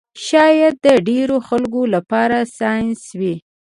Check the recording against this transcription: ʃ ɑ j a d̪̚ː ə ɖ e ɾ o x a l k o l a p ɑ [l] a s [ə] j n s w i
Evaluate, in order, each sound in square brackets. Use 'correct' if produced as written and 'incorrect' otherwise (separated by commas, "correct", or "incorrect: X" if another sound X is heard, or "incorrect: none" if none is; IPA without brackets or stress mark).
incorrect: ɾ, incorrect: ɑ